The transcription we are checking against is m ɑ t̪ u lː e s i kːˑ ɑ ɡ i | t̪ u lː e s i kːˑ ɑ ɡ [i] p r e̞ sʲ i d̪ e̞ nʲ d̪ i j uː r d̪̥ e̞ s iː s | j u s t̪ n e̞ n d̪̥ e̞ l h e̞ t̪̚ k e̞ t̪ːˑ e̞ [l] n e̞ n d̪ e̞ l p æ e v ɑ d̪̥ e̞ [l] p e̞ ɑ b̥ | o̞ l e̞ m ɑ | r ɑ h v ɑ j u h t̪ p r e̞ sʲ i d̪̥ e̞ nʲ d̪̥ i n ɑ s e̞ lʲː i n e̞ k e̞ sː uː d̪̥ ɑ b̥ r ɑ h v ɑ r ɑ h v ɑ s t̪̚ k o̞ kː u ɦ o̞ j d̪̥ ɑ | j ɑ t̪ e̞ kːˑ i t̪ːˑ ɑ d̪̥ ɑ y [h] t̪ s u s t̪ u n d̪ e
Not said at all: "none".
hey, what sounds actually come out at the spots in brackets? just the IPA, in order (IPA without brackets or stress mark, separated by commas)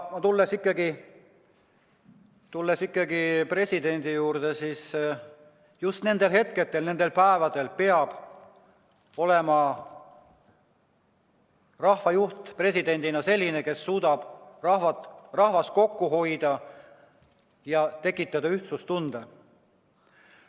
i, l, l, h